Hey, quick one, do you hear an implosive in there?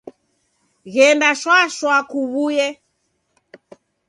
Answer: no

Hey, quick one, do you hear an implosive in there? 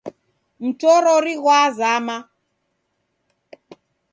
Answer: no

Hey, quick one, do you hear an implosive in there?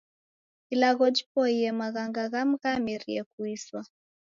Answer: no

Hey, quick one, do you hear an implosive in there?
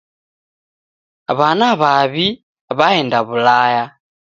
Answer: no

